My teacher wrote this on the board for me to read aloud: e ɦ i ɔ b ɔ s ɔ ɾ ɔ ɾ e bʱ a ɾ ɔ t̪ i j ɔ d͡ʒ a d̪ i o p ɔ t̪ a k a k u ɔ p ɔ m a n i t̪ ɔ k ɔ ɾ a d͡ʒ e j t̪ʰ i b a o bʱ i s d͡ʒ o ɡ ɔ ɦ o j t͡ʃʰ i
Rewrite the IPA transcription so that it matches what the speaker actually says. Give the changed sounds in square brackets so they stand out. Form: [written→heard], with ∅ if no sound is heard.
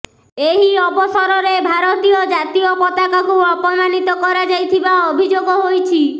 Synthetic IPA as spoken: e ɦ i ɔ b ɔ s ɔ ɾ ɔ ɾ e bʱ a ɾ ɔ t̪ i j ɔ d͡ʒ a [d̪→t̪] i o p ɔ t̪ a k a k u ɔ p ɔ m a n i t̪ ɔ k ɔ ɾ a d͡ʒ [e→a] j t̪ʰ i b a o bʱ i [s→∅] d͡ʒ o ɡ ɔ ɦ o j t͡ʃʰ i